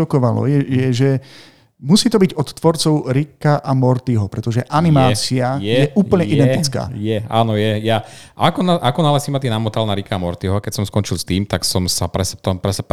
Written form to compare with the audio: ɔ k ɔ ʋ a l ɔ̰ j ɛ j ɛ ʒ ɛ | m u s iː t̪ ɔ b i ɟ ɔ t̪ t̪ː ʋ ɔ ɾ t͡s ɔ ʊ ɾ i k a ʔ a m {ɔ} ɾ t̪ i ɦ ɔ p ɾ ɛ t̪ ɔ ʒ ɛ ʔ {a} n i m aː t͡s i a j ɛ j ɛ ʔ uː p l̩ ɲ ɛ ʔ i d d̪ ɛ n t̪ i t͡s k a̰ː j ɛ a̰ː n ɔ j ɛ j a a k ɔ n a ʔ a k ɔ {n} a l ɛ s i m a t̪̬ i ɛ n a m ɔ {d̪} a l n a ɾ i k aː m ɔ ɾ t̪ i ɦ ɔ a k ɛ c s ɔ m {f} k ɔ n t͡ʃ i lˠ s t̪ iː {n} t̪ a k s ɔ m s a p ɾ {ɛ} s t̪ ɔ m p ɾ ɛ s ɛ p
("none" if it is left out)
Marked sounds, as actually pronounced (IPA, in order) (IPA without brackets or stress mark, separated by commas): ɔ, a, n, t̪, s, m, ɛ